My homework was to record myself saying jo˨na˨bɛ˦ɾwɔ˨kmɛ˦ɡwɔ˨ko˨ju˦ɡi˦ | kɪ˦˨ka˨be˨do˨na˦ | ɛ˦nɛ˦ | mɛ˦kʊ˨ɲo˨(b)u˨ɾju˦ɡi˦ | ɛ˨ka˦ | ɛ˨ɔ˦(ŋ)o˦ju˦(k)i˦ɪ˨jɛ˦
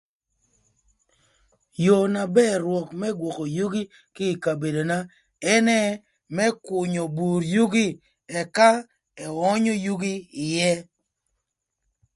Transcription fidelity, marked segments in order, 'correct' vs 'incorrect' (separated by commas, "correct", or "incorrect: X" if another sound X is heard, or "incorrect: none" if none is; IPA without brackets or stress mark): correct, incorrect: ɲ, incorrect: ɡ